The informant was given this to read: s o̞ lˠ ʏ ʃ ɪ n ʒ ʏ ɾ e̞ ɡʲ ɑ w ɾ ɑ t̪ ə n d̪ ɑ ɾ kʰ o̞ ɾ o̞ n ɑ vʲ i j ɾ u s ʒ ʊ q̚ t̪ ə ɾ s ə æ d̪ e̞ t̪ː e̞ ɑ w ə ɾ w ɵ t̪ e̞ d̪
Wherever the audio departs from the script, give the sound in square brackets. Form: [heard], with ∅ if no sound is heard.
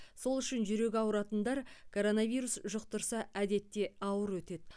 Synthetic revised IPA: s o̞ lˠ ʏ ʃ ɪ n ʒ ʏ ɾ e̞ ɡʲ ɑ w ɾ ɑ t̪ ə n d̪ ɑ ɾ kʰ o̞ ɾ o̞ n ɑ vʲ i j ɾ u s ʒ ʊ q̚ t̪ ə ɾ s [ɑ] æ d̪ e̞ t̪ː e̞ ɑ w ə ɾ w ɵ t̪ e̞ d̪